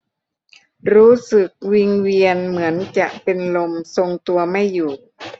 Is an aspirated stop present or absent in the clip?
absent